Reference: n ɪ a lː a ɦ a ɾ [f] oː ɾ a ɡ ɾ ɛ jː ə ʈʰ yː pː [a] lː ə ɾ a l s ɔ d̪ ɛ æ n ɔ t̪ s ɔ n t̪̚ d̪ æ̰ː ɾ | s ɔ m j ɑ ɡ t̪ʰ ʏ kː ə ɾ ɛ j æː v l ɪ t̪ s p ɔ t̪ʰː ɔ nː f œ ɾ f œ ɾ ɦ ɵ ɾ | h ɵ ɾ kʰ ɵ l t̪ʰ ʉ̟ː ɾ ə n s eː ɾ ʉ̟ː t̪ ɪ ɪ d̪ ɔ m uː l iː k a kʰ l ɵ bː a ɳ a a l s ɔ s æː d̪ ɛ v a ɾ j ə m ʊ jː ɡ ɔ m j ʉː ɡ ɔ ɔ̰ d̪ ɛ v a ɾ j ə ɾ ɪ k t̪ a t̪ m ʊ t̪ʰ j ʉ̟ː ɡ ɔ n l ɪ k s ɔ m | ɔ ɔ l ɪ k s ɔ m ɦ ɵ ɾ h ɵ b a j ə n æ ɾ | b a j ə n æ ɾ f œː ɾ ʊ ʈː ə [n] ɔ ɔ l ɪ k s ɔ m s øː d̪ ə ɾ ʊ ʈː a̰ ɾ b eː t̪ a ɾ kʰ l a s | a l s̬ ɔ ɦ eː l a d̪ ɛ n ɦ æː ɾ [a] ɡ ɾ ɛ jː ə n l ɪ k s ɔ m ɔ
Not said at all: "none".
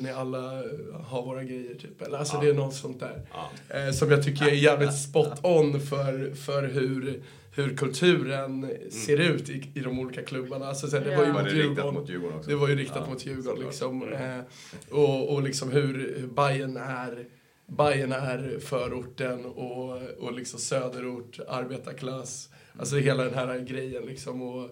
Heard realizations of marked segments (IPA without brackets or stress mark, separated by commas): v, ɛ, n, a